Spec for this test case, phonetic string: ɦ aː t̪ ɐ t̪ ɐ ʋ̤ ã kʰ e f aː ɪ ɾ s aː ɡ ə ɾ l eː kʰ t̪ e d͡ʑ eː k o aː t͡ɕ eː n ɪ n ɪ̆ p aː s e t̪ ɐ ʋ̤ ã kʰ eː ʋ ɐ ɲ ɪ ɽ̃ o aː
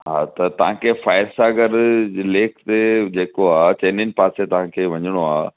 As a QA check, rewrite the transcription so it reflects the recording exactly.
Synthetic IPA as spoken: ɦ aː t̪ ɐ t̪ ɐ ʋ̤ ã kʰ e f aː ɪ ɾ s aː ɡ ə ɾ l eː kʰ t̪ e d͡ʑ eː k o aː t͡ɕ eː n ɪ n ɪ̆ p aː s e t̪ ɐ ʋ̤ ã kʰ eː ʋ ɐ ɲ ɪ ɽ̃ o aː